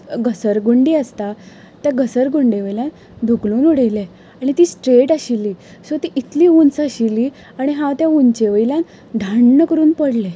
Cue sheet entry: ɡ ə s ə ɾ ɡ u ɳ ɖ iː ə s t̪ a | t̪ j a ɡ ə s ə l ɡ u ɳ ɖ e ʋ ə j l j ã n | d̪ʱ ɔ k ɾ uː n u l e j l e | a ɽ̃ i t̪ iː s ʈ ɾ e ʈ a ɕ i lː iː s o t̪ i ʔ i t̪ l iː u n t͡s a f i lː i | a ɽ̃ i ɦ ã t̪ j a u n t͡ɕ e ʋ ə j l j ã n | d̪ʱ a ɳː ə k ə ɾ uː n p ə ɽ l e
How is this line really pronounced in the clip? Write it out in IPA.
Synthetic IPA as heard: ɡ ə s ə ɾ ɡ u ɳ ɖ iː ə s t̪ a | t̪ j a ɡ ə s ə ɾ ɡ u ɳ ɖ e ʋ ə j l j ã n | d̪ʱ u k l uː n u ɽ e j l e | a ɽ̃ i t̪ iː s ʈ ɾ e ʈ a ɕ i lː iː s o t̪ i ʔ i t̪ l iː u n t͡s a ɕ i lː i | a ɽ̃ i ɦ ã t̪ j a u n t͡ɕ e ʋ ə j l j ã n | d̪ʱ a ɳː ə k ə ɾ uː n p ə ɽ l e